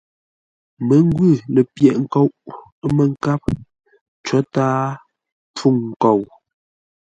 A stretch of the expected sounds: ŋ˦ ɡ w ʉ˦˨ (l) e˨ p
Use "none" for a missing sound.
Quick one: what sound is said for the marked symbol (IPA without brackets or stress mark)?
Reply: l